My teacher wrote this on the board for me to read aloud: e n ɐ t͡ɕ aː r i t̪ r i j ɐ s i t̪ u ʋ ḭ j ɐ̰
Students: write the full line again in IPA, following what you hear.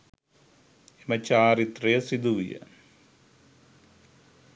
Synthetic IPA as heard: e m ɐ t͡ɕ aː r i t̪ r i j ɐ s i d̪ u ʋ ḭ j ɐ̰